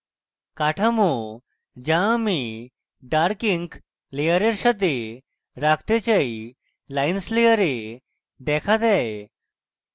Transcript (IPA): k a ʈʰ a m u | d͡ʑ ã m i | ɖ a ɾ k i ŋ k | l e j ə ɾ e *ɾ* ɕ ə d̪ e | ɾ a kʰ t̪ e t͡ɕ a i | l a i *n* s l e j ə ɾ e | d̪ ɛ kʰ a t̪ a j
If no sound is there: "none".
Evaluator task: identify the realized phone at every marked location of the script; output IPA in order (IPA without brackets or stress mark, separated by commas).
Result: ɾ, n